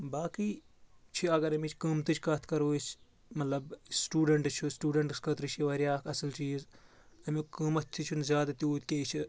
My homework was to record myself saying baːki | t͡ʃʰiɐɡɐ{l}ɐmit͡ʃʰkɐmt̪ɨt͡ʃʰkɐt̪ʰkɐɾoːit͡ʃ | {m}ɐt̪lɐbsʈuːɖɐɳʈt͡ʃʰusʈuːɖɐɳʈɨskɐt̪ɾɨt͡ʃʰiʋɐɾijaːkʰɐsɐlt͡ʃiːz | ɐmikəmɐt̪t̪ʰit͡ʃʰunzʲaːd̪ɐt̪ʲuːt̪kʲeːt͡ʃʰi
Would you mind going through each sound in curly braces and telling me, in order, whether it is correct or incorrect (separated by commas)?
incorrect, correct